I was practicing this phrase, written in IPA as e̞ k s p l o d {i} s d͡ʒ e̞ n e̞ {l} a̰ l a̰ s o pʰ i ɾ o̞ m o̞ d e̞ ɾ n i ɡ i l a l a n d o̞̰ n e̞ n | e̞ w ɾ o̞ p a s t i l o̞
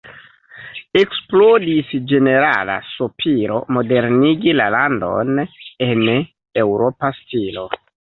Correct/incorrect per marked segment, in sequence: correct, incorrect

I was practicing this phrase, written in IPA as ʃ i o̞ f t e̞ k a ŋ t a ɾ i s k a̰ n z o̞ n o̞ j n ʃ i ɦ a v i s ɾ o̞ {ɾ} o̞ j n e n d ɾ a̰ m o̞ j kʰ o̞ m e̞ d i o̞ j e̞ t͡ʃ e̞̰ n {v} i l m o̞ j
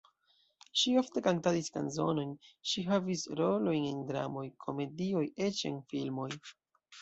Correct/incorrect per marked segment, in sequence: incorrect, incorrect

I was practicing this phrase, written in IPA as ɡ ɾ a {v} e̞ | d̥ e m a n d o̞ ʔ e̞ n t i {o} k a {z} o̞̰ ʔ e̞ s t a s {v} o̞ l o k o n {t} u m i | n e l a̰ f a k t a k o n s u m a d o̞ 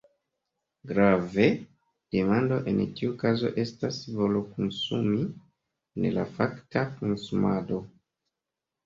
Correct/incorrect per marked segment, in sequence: correct, incorrect, correct, correct, incorrect

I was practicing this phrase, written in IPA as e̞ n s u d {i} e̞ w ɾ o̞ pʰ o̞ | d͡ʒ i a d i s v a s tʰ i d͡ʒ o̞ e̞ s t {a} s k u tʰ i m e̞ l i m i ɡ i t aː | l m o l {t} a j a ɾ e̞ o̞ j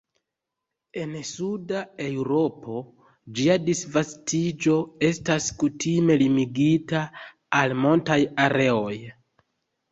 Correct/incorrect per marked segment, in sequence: incorrect, correct, correct

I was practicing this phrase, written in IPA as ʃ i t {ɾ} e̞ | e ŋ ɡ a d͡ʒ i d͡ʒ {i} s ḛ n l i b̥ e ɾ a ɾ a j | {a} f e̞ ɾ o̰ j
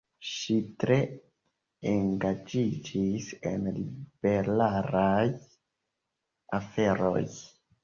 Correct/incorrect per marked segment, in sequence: correct, correct, correct

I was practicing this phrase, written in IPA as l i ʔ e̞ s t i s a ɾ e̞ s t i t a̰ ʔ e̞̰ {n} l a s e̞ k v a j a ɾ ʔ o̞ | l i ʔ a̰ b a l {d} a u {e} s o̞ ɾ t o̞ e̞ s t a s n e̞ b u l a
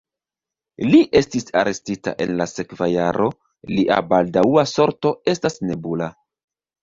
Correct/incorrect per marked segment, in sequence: correct, correct, incorrect

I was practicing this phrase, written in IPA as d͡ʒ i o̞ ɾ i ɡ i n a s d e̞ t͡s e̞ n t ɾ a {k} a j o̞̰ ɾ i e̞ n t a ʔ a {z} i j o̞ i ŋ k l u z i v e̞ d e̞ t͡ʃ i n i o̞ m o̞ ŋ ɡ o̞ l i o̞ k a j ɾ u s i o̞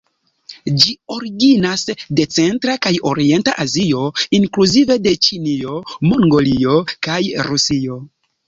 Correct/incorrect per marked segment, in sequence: correct, correct

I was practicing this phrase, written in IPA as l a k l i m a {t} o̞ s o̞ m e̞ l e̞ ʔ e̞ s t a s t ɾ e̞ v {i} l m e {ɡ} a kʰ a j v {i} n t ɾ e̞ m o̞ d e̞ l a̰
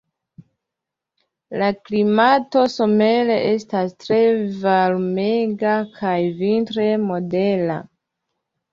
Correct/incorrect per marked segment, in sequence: correct, incorrect, correct, correct

